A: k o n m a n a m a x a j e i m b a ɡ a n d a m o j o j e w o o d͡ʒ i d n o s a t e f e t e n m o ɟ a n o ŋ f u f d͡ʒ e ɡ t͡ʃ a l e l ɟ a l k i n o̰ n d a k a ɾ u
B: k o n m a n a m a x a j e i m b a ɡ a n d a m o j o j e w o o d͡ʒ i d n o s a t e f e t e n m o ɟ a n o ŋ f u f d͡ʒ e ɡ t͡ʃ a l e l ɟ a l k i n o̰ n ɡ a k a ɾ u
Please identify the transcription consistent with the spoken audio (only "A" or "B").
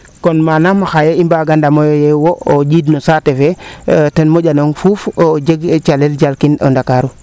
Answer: A